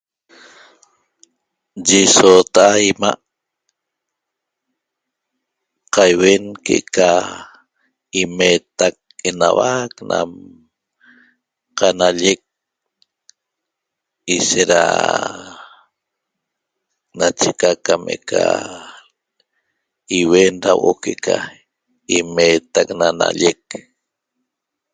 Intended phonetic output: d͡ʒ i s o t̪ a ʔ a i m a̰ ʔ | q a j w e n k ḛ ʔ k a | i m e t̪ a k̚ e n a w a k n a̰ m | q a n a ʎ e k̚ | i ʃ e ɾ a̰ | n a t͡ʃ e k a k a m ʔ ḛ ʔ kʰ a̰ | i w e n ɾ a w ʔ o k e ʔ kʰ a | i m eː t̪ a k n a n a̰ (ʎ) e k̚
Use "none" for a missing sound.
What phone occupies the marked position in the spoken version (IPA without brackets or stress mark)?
ʎ